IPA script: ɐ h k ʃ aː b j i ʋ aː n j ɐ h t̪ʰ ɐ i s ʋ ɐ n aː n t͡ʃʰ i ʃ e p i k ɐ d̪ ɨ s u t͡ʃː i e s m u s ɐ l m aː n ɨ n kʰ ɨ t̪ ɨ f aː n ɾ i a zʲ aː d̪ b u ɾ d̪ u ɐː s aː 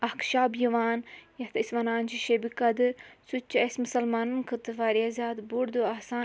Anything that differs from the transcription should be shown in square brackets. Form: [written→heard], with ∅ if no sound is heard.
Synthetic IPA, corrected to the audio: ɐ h k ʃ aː b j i ʋ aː n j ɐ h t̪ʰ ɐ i s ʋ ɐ n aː n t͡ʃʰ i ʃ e [p→b] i k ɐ d̪ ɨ s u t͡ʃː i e s m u s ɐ l m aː n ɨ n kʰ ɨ t̪ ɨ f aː [n→∅] ɾ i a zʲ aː d̪ b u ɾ d̪ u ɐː s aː